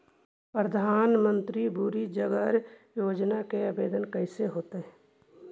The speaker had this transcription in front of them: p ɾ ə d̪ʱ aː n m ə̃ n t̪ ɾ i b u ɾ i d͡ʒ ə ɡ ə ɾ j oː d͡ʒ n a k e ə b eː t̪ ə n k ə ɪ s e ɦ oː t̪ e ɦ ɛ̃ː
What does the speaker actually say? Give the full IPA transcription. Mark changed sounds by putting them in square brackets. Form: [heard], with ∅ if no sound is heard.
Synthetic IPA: p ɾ ə d̪ʱ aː n m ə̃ n t̪ ɾ i b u ɾ i d͡ʒ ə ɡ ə ɾ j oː d͡ʒ n a k e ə b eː [d̪] ə n k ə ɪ s e ɦ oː t̪ e ɦ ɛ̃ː